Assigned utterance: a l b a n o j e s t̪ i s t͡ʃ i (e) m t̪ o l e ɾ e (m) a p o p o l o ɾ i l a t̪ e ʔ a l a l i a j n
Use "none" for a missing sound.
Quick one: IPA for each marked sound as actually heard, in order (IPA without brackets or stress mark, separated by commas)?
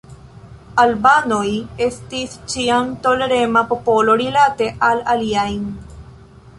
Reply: a, m